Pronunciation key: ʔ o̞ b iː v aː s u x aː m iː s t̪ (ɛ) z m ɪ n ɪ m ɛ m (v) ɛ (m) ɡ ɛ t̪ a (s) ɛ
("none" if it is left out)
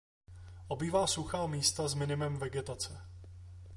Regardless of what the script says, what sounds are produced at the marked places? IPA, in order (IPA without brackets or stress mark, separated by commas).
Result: a, v, none, t͡s